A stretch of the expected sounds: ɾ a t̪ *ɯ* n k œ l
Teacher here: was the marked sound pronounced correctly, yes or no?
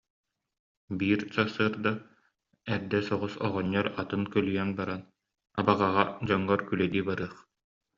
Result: yes